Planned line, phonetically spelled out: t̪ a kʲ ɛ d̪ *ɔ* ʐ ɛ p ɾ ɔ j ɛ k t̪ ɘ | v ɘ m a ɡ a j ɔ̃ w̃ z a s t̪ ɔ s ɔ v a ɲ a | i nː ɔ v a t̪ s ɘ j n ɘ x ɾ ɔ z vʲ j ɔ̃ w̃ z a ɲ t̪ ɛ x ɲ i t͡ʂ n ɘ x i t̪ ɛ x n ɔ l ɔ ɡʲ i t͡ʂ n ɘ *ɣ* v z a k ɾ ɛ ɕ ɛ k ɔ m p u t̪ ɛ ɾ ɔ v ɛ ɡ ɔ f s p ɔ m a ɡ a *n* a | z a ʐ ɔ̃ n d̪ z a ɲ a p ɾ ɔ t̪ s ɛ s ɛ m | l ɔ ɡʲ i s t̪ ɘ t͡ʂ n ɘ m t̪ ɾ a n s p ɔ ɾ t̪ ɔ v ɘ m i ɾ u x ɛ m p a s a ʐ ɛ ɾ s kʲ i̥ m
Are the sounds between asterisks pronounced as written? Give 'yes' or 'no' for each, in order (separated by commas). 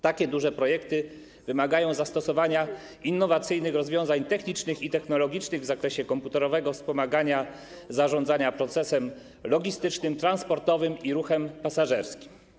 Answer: no, yes, no